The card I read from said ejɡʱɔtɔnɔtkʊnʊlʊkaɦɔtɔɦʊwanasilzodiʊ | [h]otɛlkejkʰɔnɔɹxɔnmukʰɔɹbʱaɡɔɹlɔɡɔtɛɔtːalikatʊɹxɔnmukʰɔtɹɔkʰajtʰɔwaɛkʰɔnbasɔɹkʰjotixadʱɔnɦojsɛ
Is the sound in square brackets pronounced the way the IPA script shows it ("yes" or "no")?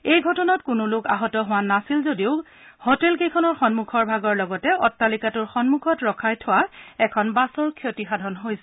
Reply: yes